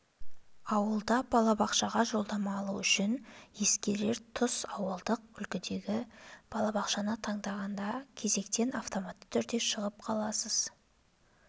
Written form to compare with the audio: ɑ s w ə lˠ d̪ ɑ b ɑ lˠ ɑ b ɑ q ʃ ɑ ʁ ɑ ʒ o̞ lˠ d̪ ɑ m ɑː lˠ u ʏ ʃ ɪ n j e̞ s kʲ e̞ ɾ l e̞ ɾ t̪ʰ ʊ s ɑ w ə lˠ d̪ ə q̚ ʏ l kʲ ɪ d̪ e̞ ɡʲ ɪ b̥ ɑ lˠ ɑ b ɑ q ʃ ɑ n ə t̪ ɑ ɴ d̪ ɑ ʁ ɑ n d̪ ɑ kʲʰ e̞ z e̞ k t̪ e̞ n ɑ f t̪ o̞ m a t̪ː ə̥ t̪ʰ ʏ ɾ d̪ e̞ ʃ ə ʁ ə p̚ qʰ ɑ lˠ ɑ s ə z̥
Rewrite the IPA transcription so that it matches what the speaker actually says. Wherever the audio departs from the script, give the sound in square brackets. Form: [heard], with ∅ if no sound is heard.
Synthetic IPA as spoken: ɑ [∅] w ə lˠ d̪ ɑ b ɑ lˠ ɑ b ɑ q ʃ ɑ ʁ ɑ ʒ o̞ lˠ d̪ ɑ m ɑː lˠ u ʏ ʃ ɪ n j e̞ s kʲ e̞ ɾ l e̞ ɾ t̪ʰ ʊ s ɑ w ə lˠ d̪ ə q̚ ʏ l kʲ ɪ d̪ e̞ ɡʲ ɪ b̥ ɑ lˠ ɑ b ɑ q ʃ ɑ n ə [t̪ʰ] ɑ ɴ d̪ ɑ ʁ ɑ n d̪ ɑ kʲʰ e̞ z e̞ k t̪ e̞ n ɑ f t̪ o̞ m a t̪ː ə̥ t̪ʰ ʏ ɾ d̪ e̞ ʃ ə ʁ ə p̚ qʰ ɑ lˠ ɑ s ə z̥